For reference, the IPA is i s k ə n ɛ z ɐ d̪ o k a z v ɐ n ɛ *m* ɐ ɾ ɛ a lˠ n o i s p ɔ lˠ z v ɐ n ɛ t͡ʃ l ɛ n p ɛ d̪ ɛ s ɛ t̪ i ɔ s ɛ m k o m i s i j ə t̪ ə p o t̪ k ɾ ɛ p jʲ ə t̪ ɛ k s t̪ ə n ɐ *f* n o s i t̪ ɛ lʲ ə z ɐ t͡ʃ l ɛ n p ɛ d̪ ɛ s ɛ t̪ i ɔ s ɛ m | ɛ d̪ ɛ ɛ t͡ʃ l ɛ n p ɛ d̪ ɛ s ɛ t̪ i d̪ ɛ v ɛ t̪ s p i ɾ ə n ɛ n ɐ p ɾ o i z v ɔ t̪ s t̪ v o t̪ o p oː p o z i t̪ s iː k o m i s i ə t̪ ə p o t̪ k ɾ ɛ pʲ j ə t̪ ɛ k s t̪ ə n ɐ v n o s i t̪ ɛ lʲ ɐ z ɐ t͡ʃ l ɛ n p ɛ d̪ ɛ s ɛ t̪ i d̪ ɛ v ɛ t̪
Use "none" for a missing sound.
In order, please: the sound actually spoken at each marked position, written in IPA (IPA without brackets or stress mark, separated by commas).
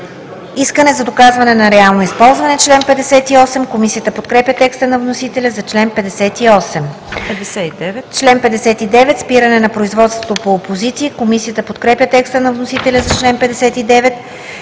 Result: n, v